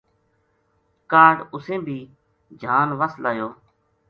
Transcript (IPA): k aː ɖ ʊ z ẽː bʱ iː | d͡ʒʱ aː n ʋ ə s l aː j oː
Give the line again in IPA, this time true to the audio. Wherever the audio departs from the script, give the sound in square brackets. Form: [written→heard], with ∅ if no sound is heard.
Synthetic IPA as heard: k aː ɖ ʊ [z→s] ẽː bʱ iː | d͡ʒʱ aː n ʋ ə s l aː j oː